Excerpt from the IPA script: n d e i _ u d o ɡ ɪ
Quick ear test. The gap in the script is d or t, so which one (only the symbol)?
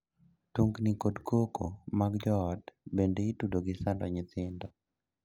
t